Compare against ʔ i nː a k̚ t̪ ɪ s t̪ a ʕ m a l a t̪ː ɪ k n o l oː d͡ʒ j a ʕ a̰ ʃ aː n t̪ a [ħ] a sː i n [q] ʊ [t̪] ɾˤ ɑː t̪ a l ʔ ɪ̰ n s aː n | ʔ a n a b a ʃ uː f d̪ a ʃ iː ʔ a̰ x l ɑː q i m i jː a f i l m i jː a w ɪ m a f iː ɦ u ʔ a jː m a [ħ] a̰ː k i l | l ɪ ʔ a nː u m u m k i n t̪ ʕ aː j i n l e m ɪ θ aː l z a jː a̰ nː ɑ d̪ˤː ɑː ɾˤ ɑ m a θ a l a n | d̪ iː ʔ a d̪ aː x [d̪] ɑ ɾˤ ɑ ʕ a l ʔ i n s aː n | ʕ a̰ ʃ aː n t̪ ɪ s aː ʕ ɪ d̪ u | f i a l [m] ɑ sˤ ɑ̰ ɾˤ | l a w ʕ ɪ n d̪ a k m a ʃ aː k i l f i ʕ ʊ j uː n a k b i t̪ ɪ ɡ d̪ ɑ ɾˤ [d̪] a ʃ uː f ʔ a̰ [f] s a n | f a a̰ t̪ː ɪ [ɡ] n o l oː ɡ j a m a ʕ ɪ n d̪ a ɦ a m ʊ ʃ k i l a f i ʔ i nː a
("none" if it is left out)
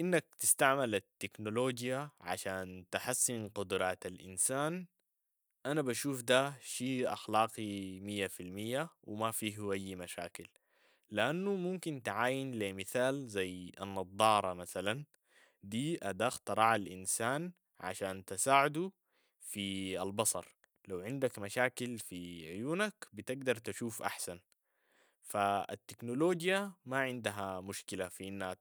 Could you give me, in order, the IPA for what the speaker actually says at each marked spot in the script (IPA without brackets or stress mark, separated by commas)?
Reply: ħ, q, d̪, ʃ, t̪, b, t̪, ħ, k